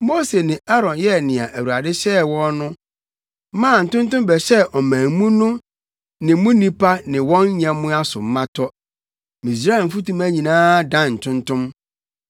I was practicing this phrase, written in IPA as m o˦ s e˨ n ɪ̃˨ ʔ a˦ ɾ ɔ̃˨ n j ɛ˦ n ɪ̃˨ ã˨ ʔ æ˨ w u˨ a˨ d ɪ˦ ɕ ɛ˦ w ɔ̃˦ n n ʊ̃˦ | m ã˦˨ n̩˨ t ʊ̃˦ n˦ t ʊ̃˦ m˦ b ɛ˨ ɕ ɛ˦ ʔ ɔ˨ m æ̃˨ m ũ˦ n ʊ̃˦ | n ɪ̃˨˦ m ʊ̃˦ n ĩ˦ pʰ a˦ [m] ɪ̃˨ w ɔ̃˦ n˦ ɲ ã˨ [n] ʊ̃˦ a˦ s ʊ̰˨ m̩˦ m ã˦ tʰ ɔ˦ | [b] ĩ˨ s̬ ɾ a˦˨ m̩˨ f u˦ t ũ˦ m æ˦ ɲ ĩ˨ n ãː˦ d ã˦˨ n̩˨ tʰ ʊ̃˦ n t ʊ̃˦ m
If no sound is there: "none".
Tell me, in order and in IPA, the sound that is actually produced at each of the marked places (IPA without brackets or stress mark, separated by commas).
n, m, m